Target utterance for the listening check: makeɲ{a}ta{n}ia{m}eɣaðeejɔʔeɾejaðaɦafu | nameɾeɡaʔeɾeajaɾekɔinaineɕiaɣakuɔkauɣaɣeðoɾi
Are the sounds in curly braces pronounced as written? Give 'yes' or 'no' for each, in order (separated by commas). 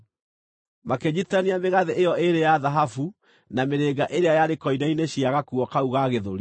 no, yes, yes